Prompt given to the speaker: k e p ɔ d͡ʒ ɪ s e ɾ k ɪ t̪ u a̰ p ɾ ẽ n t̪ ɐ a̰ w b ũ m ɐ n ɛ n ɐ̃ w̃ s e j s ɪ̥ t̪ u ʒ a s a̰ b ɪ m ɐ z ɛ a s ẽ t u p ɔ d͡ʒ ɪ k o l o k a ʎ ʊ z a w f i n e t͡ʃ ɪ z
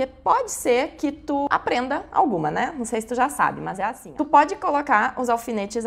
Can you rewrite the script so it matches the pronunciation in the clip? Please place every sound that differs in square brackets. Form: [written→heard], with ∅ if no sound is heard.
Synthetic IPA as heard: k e p ɔ d͡ʒ ɪ s e ɾ k ɪ t̪ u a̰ p ɾ ẽ n [t̪→d̪] ɐ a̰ w [b→ɡ] ũ m ɐ n ɛ n ɐ̃ w̃ s e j s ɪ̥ t̪ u ʒ a s a̰ b ɪ m ɐ z ɛ a s [ẽ→ĩ] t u p ɔ d͡ʒ ɪ k o l o k a [ʎ→ɾ] ʊ z a w f i n e t͡ʃ ɪ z